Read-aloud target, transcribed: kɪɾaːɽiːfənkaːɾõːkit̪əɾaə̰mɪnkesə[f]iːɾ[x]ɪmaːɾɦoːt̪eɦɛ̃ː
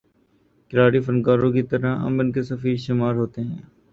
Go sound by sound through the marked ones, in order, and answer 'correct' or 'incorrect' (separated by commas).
correct, incorrect